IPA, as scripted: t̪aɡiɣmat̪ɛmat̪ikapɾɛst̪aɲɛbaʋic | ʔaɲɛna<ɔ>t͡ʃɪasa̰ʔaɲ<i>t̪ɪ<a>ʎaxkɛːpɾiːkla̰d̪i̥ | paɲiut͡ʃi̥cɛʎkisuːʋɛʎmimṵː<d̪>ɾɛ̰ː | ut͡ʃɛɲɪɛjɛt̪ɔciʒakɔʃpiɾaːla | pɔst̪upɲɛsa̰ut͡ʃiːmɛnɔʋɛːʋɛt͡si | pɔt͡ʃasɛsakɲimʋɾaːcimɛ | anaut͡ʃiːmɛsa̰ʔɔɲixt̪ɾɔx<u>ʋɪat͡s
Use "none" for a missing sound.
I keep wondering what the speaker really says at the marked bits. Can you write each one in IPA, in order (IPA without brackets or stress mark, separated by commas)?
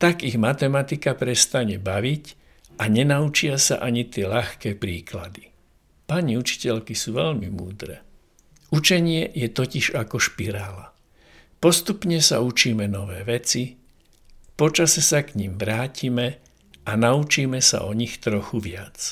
u, i, ɛ, d̪, u